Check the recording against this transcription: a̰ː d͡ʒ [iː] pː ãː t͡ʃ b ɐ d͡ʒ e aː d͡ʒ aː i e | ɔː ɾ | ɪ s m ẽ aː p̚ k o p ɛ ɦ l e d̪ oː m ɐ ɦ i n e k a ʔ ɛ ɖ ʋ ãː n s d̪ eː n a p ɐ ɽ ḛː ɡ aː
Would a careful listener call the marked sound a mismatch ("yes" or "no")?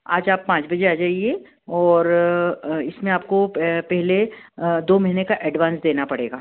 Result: yes